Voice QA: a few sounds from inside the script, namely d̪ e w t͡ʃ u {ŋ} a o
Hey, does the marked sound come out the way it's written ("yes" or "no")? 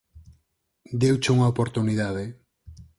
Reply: yes